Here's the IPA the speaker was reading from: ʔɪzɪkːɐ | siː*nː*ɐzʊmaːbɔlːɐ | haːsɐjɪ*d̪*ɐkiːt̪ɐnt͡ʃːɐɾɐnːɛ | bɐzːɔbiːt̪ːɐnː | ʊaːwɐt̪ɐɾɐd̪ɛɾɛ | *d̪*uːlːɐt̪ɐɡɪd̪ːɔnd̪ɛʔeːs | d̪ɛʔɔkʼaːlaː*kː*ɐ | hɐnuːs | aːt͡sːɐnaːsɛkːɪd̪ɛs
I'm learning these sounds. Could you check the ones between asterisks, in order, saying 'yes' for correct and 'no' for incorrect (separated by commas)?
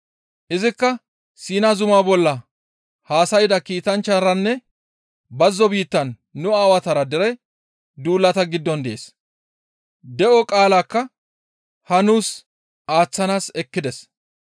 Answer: no, yes, yes, yes